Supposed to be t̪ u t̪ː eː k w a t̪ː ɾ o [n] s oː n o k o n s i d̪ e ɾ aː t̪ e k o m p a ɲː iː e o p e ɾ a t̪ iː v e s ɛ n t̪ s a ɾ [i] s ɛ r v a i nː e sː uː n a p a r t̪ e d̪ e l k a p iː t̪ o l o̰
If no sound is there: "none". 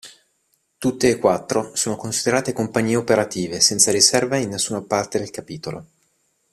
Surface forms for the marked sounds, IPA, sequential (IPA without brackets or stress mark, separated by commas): none, i